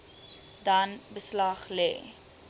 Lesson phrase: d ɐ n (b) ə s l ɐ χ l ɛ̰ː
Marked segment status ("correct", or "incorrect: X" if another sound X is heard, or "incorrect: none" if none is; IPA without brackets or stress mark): correct